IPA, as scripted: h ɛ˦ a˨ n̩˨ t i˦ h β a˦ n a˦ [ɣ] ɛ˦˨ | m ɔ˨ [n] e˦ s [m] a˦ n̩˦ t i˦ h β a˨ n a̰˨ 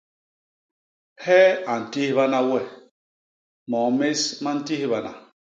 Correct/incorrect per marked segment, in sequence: incorrect: w, incorrect: m, correct

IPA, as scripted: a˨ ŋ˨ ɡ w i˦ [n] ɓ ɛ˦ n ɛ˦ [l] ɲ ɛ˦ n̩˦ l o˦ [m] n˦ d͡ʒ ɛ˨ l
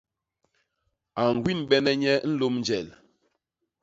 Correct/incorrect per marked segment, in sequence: correct, incorrect: none, correct

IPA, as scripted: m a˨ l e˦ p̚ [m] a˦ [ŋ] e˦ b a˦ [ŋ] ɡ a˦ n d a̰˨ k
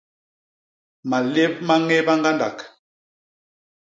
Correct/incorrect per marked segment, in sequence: correct, correct, correct

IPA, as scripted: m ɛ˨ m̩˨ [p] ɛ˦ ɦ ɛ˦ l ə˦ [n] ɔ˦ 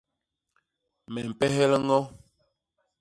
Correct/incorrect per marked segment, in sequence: correct, incorrect: ŋ

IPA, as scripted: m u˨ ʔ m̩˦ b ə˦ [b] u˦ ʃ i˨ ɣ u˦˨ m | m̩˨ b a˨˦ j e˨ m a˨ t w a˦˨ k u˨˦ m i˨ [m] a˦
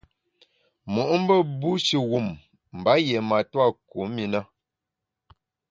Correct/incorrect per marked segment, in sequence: correct, incorrect: n

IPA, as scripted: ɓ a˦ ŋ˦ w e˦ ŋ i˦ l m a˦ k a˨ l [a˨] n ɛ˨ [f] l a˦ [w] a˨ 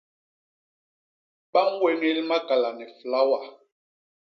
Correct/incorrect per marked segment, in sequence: correct, correct, correct

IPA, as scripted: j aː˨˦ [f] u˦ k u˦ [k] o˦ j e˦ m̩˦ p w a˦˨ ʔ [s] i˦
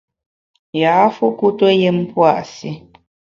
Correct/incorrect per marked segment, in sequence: correct, incorrect: t, correct

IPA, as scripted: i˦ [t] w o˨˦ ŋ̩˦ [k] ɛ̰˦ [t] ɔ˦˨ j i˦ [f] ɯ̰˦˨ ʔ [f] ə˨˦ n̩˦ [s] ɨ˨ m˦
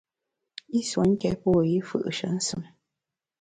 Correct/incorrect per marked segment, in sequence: incorrect: s, correct, incorrect: p, correct, incorrect: ʃ, correct

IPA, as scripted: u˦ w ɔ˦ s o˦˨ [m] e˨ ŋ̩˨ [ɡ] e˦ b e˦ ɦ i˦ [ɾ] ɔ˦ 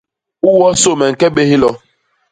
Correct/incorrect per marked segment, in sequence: correct, incorrect: k, incorrect: l

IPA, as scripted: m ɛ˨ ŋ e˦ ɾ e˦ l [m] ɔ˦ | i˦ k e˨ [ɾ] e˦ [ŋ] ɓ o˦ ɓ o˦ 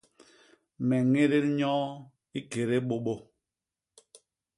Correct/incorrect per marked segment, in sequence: incorrect: ɲ, correct, incorrect: none

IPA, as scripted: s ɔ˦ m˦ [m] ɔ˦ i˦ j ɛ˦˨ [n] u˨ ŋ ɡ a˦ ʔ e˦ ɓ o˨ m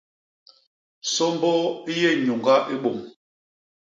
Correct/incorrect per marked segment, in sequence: incorrect: b, incorrect: ɲ

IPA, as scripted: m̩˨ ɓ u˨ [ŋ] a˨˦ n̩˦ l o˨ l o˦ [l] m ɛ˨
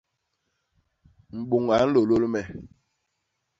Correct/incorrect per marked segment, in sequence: correct, correct

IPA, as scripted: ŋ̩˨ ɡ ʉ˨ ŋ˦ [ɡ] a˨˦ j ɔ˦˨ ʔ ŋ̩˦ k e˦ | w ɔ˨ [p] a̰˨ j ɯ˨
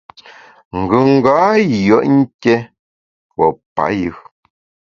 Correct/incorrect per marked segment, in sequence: correct, correct

